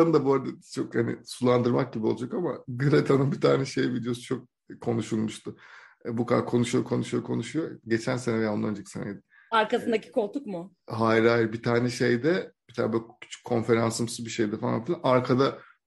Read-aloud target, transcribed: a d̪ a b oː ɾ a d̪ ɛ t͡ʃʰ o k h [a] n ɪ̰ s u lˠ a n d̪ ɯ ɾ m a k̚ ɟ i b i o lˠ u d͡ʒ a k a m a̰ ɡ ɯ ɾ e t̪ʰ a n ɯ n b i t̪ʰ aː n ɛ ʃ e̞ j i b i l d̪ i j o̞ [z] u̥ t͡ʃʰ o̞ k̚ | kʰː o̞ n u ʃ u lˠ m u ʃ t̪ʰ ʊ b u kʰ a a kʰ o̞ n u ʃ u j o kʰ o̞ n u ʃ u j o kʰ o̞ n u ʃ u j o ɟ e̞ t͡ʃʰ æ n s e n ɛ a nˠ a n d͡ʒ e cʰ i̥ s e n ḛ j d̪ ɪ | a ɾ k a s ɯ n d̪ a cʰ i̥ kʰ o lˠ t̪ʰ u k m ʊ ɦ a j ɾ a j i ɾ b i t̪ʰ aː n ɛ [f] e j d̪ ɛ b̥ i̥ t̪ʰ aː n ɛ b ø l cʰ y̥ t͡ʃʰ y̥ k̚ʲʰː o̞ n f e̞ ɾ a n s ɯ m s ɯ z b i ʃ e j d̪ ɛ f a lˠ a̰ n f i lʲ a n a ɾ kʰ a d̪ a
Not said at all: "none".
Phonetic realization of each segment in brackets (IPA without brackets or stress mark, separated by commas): a, s, ʃ